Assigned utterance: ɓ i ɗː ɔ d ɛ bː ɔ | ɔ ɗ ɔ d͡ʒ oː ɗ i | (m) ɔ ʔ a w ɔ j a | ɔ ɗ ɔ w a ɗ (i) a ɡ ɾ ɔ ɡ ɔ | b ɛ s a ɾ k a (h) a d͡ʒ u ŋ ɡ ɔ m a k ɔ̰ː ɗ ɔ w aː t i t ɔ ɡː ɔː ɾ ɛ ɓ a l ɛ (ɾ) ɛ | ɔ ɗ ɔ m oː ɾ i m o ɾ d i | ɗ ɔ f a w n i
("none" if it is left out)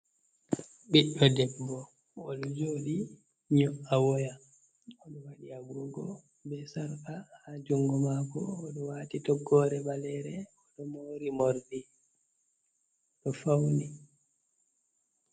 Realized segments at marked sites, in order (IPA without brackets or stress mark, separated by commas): ɲ, i, h, ɾ